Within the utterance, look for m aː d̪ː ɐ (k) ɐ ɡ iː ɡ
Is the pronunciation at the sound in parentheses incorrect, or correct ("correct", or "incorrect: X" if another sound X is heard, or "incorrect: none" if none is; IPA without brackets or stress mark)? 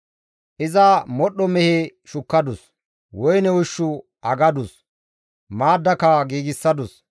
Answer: correct